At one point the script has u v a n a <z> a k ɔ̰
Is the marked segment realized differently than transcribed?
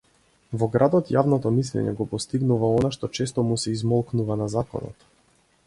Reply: no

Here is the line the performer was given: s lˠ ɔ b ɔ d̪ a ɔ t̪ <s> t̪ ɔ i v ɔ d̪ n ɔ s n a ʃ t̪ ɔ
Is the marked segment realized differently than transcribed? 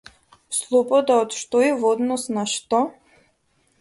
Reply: yes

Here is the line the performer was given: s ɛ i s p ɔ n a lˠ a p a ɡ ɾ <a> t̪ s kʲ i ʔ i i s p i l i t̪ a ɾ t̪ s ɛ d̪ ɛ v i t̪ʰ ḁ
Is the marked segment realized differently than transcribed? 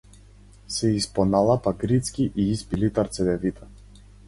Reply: yes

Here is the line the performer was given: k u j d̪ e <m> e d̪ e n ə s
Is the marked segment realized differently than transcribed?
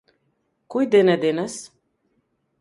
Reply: yes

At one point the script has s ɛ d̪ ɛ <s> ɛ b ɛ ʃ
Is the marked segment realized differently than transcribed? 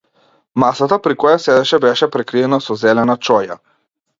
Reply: yes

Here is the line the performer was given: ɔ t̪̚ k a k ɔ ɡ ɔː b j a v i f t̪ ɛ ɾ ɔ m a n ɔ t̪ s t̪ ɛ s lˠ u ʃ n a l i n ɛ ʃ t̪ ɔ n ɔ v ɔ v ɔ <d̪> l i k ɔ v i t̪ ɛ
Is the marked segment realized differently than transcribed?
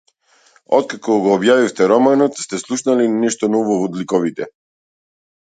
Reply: no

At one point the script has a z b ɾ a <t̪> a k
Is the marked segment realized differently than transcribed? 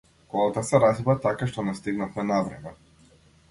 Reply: no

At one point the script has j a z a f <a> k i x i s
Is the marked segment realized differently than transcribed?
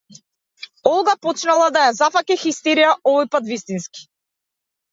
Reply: no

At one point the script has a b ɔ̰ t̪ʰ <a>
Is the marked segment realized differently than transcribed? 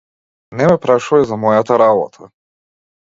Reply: no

